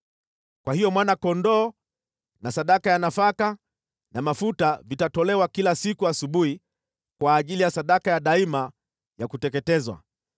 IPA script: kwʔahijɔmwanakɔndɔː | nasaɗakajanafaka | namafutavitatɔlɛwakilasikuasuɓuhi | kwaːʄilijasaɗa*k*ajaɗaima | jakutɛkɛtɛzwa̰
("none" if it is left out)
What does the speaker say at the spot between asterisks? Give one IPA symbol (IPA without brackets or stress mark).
k